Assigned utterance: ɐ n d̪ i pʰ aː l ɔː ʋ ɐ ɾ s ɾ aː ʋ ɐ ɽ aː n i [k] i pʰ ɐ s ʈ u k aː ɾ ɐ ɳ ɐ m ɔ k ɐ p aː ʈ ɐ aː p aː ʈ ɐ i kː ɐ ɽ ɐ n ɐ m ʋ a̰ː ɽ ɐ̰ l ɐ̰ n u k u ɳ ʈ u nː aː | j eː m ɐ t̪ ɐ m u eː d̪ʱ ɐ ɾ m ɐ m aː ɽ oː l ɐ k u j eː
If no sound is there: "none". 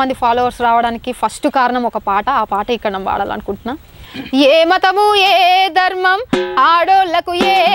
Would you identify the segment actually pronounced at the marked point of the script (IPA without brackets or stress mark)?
k